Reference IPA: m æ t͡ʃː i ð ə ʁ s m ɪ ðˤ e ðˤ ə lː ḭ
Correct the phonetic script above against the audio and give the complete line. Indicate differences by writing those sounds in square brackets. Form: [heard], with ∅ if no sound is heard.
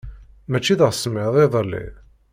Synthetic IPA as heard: m æ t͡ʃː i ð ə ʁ s m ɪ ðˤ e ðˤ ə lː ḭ